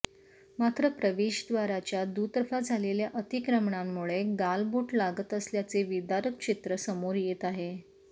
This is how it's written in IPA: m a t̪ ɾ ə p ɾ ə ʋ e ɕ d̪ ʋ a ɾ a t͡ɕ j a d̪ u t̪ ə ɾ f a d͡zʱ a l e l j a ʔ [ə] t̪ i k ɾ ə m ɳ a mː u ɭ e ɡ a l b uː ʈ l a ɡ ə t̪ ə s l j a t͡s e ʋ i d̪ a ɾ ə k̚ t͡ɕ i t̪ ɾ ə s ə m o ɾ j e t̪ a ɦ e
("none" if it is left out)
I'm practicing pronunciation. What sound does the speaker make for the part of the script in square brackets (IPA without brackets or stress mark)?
ə